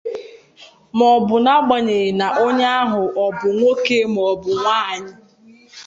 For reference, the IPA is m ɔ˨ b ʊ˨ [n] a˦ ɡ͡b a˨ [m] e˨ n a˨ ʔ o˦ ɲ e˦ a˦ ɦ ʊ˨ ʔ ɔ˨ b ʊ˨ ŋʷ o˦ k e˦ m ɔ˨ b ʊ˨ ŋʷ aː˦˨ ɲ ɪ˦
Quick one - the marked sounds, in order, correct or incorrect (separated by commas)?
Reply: correct, incorrect